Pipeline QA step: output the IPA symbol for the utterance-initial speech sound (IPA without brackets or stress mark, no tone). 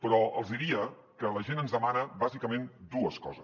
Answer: p